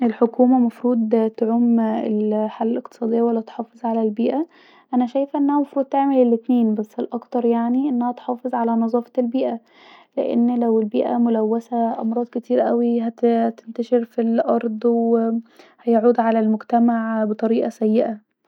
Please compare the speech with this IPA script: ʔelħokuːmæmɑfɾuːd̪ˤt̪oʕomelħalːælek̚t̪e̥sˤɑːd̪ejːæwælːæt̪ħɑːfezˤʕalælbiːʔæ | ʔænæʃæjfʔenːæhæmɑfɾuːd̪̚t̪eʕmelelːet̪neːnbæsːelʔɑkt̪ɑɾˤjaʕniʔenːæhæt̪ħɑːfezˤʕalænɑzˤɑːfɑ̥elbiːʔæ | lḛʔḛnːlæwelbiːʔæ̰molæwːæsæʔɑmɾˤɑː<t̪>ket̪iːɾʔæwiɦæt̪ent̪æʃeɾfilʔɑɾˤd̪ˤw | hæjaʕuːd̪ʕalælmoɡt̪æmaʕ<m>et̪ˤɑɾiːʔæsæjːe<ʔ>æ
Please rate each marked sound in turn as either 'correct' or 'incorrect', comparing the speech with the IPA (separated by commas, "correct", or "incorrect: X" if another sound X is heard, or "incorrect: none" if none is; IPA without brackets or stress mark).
incorrect: d̪, incorrect: b, correct